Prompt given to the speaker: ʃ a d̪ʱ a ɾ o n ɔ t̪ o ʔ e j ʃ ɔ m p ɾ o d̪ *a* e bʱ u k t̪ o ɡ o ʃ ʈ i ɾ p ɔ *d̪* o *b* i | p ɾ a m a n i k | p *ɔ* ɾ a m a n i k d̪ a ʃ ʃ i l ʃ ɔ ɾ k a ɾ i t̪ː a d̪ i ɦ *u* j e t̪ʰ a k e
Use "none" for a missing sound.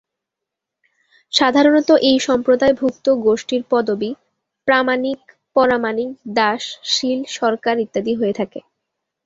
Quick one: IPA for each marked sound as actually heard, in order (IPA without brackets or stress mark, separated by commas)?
a, d̪, b, ɔ, o